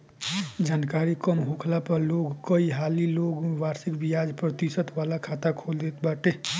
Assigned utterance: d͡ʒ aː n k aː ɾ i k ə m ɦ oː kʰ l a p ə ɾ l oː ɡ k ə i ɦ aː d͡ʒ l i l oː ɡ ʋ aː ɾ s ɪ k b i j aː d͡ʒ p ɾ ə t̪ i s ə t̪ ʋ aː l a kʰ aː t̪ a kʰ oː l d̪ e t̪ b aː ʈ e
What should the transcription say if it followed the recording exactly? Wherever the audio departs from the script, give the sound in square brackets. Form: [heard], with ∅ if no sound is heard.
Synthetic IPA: d͡ʒ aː n k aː ɾ i k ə m ɦ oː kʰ l a p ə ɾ l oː ɡ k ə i ɦ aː [∅] l i l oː ɡ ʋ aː ɾ s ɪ k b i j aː d͡ʒ p ɾ ə t̪ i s ə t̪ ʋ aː l a kʰ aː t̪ a kʰ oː l d̪ e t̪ b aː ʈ e